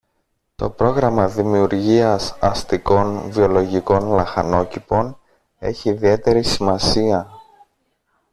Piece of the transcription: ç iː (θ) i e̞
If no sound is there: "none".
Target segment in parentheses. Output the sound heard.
ð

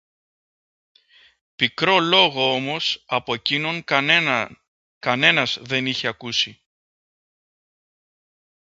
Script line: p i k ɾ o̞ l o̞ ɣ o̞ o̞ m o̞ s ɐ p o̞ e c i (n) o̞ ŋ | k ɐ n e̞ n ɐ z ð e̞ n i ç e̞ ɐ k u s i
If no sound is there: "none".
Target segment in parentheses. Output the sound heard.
n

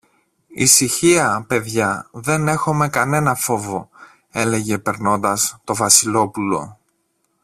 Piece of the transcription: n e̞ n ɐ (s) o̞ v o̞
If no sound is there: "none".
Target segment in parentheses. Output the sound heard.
f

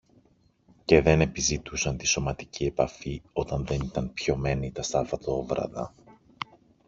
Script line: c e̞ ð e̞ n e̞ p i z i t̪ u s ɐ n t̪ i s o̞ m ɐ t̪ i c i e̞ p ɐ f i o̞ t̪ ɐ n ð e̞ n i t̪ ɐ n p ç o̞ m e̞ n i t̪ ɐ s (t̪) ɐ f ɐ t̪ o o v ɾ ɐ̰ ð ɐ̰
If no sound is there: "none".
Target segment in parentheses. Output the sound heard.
t̪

